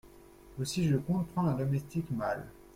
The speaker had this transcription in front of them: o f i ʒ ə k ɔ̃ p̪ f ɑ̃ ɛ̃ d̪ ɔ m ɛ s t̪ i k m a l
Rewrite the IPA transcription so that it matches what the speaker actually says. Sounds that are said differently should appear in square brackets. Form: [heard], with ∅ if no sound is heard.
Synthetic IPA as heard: o [s] i ʒ ə k ɔ̃ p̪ [χ] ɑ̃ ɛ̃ d̪ ɔ m ɛ s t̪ i k m a l